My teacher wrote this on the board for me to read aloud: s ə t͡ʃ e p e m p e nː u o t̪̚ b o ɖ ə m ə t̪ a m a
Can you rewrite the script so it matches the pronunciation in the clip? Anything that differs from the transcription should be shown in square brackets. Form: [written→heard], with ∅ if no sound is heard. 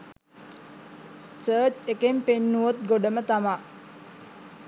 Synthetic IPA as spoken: s [ə→əː] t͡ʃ e [p→k] e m p e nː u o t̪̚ [b→ɡ] o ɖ ə m ə t̪ a m a